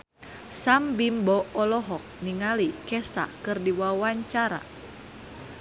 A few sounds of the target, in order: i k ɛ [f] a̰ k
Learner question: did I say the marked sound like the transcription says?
no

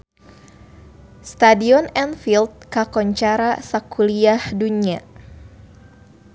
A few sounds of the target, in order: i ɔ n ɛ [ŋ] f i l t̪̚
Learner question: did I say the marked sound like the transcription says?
no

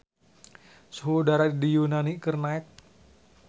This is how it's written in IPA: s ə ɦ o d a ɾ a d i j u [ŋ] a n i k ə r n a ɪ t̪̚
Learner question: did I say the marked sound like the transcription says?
no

